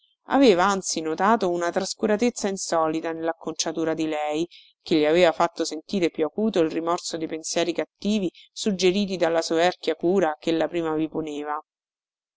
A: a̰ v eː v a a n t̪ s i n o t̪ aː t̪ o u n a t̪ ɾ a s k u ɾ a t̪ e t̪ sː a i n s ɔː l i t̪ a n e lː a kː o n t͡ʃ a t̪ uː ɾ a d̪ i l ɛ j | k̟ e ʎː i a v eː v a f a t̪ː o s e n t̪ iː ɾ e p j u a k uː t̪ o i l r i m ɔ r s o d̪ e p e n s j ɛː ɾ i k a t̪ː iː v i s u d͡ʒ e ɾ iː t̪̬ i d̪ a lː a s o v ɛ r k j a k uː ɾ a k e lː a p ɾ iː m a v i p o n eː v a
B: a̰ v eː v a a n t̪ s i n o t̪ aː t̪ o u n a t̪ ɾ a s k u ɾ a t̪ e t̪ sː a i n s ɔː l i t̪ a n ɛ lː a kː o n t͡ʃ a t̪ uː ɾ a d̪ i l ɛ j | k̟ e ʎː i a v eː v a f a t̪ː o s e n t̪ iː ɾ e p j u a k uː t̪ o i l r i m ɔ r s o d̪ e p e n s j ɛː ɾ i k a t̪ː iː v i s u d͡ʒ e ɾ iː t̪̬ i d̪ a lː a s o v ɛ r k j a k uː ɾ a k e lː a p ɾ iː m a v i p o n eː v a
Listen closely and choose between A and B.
A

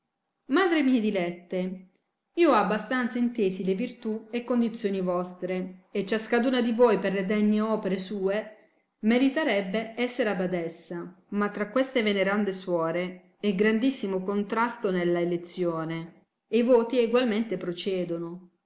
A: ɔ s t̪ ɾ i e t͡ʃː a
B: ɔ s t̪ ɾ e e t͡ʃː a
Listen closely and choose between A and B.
B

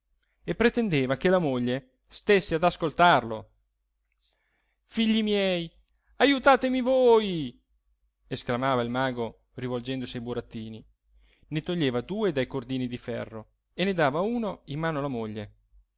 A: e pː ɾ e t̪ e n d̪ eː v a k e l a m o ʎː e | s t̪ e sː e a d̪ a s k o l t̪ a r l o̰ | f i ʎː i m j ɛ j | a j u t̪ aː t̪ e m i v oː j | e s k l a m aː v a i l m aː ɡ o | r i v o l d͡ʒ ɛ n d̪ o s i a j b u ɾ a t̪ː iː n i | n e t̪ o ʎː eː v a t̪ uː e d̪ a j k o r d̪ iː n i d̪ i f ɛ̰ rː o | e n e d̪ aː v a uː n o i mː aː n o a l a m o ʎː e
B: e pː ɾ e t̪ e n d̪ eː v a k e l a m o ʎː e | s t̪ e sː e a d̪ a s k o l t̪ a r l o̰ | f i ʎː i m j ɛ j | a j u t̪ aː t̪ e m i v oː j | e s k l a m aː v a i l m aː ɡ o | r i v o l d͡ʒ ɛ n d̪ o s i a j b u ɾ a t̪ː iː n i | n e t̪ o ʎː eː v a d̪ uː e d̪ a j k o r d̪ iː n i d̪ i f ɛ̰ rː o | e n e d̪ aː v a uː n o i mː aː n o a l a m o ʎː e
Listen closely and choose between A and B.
B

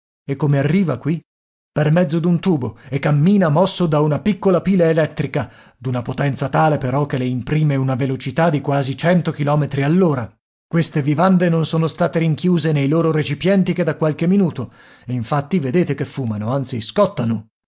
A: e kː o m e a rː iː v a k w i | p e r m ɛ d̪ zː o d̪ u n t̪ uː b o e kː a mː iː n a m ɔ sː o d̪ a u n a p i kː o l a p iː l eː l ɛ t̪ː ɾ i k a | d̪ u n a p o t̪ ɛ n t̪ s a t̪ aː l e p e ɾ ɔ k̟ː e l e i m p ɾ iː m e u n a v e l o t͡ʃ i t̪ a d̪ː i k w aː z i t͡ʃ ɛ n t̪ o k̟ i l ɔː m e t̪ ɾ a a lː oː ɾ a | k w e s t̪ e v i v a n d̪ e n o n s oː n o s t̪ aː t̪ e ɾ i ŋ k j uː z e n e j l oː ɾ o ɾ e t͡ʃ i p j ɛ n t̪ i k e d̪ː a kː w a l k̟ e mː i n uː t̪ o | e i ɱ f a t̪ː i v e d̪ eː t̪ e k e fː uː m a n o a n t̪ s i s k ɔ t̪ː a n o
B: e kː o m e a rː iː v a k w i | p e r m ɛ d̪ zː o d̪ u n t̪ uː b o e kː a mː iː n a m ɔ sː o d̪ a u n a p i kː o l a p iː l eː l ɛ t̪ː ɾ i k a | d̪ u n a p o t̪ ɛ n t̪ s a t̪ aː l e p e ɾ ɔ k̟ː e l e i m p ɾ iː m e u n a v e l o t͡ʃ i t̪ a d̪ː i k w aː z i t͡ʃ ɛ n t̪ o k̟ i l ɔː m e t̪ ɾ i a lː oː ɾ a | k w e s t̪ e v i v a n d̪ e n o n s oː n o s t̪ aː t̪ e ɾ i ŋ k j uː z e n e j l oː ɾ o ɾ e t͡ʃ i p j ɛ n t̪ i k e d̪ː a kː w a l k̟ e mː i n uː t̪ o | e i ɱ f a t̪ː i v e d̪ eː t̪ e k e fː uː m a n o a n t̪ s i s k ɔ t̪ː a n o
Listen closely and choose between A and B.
B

